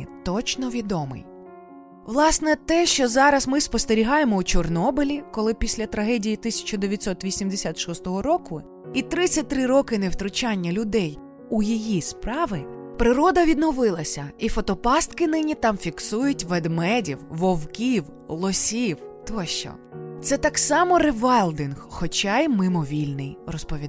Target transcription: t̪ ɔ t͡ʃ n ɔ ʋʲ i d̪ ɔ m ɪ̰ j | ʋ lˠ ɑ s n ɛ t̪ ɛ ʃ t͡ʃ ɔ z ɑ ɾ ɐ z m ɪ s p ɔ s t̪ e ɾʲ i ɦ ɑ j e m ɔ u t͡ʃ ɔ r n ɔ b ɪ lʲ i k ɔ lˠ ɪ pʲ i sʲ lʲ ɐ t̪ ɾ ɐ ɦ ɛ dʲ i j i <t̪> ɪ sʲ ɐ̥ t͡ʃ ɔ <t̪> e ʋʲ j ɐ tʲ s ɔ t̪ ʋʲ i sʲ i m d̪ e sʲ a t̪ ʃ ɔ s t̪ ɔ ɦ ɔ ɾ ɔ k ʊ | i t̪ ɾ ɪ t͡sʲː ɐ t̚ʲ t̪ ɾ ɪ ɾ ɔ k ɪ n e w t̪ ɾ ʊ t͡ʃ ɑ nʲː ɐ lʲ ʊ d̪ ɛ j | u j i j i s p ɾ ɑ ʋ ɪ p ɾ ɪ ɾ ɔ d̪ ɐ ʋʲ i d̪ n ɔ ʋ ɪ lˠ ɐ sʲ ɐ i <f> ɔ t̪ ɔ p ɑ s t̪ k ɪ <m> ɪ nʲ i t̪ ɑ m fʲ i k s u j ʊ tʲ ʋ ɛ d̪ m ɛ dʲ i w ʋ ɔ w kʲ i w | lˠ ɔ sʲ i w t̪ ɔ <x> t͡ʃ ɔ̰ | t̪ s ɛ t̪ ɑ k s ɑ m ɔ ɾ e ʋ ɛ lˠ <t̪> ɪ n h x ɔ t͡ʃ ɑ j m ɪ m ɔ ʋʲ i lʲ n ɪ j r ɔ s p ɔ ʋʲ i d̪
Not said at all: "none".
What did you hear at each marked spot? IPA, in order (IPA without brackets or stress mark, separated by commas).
t̪, d̪, f, n, ʃ, d̪